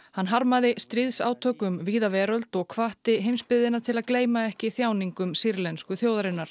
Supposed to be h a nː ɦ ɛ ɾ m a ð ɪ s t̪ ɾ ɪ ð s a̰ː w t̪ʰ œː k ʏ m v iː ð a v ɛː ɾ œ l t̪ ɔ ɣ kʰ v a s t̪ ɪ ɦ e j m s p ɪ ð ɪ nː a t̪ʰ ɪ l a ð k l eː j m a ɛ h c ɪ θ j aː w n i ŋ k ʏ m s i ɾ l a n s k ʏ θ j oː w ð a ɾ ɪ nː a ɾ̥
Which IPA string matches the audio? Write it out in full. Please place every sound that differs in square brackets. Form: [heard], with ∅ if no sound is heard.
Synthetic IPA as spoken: h a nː ɦ [a] ɾ m a ð ɪ s t̪ ɾ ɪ ð s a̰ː w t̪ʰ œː k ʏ m v iː ð a v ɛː ɾ œ l t̪ ɔ ɣ kʰ v a [h] t̪ ɪ ɦ e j m s p ɪ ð ɪ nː a t̪ʰ ɪ l a ð k l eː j m a ɛ h c ɪ θ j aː w n i ŋ k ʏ m s i ɾ l [ɛ] n s k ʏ θ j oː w ð a ɾ ɪ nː a ɾ̥